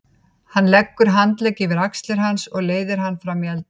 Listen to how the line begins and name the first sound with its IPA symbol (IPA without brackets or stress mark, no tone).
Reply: h